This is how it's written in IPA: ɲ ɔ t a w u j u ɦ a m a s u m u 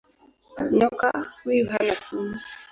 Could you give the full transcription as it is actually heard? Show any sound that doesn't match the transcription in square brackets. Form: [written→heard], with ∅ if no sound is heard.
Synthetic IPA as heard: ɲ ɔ [t→k] a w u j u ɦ a [m→n] a s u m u